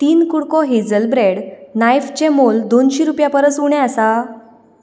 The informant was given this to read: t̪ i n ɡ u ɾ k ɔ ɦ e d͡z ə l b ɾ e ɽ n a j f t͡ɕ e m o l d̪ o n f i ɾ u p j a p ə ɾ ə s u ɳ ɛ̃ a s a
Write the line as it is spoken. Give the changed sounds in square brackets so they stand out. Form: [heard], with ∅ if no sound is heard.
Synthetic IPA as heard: t̪ [iː] n [k] u [ɽ] k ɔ ɦ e d͡z ə l b ɾ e ɽ n a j f t͡ɕ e m o l d̪ o n [ɕ] i ɾ u p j a p ə ɾ ə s u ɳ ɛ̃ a s a